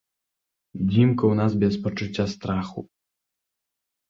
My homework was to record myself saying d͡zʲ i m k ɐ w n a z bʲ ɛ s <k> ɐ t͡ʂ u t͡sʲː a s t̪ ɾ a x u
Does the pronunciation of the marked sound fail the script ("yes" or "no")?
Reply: yes